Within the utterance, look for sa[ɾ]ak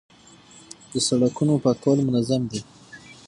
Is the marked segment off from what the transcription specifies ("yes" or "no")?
yes